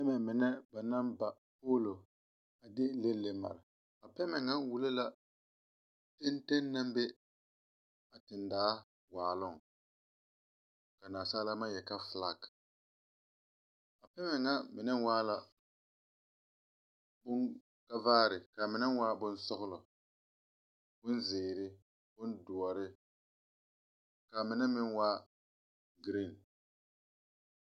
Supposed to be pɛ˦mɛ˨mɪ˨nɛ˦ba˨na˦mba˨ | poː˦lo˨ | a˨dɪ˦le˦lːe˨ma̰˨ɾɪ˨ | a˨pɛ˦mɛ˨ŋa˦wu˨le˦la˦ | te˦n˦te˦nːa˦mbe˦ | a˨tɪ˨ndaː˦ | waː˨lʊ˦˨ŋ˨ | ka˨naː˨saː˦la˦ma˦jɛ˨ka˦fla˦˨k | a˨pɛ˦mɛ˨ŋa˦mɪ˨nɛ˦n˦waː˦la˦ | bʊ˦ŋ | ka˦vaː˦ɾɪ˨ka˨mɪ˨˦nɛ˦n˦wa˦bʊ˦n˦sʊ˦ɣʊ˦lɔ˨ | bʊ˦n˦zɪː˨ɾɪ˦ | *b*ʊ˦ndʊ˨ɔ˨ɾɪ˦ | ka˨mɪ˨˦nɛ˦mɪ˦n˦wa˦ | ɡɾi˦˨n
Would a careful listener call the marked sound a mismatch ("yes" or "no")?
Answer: no